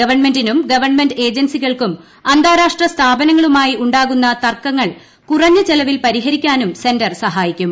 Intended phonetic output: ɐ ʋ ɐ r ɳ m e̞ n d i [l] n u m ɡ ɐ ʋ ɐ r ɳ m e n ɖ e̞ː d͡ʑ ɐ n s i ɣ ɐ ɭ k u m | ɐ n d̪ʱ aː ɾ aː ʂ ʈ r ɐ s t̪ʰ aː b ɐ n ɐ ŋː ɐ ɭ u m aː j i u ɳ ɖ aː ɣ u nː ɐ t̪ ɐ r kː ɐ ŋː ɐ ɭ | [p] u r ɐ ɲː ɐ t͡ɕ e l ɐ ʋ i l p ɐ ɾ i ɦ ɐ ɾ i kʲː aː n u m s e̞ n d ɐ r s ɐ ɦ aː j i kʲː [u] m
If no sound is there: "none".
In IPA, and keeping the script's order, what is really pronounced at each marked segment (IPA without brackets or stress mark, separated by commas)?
none, k, u